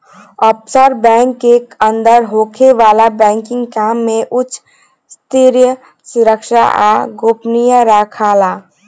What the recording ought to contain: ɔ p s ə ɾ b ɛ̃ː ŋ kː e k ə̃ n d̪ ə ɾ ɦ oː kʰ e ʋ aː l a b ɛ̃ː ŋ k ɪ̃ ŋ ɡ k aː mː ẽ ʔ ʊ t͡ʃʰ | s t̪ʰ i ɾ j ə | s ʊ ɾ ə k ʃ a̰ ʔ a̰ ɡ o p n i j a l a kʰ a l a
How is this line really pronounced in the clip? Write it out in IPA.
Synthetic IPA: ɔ p s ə ɾ b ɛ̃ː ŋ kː e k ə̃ n d̪ ə ɾ ɦ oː kʰ e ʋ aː l a b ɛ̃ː ŋ k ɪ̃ ŋ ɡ k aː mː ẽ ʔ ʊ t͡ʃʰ | s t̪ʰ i ɾ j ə | s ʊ ɾ ə k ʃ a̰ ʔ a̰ ɡ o p n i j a ɾ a kʰ a l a